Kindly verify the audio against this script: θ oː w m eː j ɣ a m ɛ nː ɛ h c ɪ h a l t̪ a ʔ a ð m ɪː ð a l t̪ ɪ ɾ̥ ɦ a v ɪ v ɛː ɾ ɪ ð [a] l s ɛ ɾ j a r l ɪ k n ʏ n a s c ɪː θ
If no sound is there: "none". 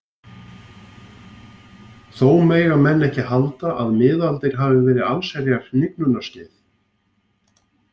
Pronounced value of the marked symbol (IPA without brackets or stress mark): a